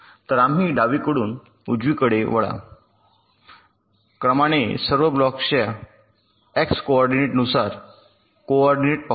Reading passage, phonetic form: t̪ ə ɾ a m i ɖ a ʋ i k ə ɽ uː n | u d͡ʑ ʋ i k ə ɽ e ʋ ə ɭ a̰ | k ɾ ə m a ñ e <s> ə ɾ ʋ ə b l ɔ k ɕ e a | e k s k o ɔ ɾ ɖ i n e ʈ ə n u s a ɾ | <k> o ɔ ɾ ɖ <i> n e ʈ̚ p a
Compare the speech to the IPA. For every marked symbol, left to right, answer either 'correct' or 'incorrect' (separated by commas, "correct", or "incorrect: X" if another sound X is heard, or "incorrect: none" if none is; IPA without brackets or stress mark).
correct, correct, correct